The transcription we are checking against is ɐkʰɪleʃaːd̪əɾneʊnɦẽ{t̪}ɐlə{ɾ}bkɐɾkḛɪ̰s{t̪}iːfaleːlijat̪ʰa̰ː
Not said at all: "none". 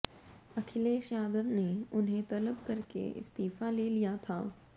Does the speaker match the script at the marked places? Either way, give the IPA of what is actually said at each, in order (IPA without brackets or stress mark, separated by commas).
t̪, none, t̪